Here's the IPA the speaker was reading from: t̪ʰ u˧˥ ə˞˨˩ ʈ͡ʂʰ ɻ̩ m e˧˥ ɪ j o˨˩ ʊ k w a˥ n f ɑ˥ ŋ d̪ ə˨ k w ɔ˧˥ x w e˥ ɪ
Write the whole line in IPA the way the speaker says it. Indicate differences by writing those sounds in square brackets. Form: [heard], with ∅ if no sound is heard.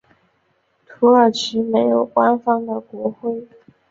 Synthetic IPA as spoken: t̪ʰ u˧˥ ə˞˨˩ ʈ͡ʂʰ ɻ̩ m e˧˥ ɪ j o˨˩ ʊ k w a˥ n f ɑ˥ ŋ d̪ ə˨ k w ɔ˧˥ x w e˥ ɪ